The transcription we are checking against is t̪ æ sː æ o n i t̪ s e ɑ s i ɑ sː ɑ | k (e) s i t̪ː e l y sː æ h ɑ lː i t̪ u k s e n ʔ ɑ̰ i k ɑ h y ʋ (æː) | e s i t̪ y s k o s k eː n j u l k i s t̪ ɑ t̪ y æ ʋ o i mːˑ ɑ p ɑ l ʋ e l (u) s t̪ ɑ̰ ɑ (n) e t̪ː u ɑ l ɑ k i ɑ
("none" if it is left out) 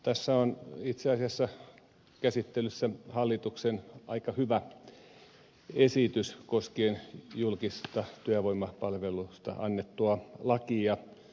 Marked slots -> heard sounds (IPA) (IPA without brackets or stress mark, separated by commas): æ, æ, u, nː